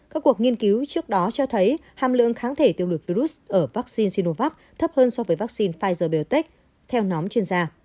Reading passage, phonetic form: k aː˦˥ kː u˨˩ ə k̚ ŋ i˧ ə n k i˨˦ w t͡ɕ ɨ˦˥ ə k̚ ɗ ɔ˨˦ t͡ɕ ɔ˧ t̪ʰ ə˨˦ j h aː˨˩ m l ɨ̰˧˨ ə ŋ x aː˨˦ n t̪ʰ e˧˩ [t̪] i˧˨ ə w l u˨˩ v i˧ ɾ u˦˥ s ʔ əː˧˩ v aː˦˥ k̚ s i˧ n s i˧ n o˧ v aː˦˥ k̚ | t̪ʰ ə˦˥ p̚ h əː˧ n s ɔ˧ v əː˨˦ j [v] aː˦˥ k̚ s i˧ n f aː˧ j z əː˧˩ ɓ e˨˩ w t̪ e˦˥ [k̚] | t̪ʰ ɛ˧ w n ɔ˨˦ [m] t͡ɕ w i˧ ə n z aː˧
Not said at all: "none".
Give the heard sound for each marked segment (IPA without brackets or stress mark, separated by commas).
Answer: t̪, v, k̚, m